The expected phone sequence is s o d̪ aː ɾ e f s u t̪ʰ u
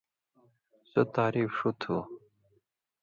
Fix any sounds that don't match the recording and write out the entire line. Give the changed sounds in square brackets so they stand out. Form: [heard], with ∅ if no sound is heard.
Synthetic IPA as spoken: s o [t̪] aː ɾ [i] f [ʂ] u t̪ʰ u